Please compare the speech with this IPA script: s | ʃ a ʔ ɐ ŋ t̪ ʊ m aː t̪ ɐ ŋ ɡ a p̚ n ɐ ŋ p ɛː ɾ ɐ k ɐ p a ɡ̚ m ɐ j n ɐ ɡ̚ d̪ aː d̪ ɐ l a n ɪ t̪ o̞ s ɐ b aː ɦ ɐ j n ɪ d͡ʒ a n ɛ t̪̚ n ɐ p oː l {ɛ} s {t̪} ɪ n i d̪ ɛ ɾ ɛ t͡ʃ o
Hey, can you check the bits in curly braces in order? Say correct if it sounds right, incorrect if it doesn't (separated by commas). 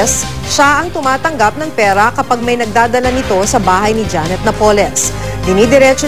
correct, incorrect